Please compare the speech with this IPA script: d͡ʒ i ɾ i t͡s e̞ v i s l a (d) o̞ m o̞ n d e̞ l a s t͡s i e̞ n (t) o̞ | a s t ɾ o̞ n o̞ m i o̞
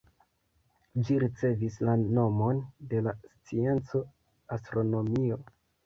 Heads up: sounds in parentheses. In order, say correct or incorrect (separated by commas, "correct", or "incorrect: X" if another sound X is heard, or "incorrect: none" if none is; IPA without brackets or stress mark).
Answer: incorrect: n, incorrect: t͡s